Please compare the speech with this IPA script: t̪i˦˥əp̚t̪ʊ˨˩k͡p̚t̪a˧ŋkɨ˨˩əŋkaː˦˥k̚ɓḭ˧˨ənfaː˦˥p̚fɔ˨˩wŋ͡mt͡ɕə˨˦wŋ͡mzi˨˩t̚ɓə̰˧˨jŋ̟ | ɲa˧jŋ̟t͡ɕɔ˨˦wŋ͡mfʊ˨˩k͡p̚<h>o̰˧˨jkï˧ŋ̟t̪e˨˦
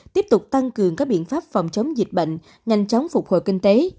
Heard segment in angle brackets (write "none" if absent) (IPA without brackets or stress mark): h